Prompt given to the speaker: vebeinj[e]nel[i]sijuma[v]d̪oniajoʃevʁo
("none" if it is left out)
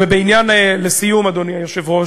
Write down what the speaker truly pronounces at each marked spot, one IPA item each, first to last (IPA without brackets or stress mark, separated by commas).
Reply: a, e, none